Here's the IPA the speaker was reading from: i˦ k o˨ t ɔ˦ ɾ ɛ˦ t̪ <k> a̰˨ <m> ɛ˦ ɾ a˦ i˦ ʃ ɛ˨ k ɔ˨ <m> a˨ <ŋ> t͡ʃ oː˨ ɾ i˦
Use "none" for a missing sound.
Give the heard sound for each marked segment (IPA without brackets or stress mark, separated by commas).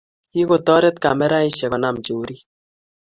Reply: k, m, n, m